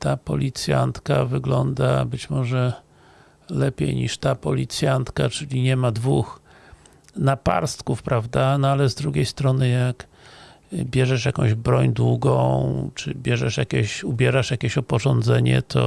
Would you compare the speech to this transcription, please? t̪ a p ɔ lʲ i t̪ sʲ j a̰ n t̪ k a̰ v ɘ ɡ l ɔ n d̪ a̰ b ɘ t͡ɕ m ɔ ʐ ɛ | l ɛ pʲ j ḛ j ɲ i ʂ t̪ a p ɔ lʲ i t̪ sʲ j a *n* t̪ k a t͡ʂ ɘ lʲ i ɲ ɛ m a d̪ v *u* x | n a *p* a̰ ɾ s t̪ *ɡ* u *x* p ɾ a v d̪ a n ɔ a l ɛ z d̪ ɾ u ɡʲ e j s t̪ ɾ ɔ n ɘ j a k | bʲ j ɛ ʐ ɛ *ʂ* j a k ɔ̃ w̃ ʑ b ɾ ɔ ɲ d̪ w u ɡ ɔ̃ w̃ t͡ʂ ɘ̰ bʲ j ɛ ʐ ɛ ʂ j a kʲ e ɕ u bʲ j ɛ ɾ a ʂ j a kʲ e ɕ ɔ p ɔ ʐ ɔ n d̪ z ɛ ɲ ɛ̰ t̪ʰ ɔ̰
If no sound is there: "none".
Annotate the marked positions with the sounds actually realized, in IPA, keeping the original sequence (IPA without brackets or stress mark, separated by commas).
n, u, p, k, f, ʂ